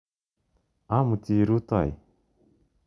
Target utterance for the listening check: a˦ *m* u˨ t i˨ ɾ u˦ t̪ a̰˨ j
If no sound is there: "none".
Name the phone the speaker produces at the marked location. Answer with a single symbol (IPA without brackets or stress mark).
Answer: m